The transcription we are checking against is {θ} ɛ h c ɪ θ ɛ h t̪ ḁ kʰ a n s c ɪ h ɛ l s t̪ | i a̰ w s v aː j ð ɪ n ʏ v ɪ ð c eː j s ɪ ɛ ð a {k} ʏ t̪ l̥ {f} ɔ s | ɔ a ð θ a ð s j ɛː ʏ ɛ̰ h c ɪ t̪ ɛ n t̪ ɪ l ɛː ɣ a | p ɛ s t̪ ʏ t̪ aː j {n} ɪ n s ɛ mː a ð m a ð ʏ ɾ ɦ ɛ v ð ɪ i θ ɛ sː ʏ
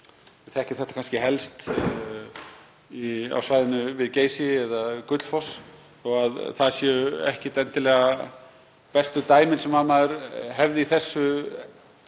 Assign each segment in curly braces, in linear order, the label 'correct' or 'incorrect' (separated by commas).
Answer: correct, correct, correct, incorrect